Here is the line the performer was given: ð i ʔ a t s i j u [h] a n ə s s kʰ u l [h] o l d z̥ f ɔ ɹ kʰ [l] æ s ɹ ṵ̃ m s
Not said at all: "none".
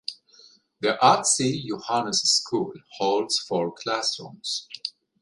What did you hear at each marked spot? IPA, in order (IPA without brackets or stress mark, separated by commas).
h, h, l